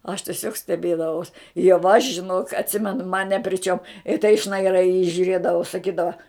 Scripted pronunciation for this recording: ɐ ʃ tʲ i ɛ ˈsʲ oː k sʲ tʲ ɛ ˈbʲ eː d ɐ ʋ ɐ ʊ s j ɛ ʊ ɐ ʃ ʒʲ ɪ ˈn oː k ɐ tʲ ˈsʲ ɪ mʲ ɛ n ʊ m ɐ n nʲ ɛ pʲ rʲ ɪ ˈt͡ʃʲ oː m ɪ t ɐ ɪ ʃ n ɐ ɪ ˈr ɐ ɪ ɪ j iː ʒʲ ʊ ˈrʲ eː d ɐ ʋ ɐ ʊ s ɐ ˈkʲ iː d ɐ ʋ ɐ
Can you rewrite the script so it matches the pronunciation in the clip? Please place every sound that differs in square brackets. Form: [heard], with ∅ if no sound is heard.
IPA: ɐ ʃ tʲ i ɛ ˈsʲ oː k sʲ tʲ ɛ ˈbʲ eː d ɐ ʋ ɐ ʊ s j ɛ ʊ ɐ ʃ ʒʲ ɪ ˈn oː k ɐ tʲ ˈsʲ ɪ mʲ ɛ n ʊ m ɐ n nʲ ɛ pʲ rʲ ɪ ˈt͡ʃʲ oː m ɪ t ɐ ɪ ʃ n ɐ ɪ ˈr ɐ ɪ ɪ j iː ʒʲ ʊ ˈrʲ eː d ɐ ʋ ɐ ʊ s ɐ ˈkʲ iː d ɐ ʋ ɐ